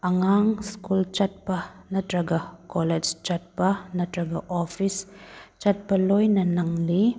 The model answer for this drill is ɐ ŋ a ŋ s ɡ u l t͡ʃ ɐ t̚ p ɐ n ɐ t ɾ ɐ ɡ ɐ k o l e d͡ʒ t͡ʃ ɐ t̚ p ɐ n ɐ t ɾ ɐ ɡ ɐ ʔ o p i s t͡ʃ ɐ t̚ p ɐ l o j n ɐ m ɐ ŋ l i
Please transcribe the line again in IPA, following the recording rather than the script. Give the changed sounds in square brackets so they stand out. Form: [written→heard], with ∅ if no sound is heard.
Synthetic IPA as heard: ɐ ŋ a ŋ s [ɡ→k] u l t͡ʃ ɐ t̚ p ɐ n ɐ t ɾ ɐ ɡ ɐ k o l e d͡ʒ t͡ʃ ɐ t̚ p ɐ n ɐ t ɾ ɐ ɡ ɐ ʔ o [p→pʰ] i s t͡ʃ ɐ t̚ p ɐ l o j n ɐ [m→n] ɐ ŋ l i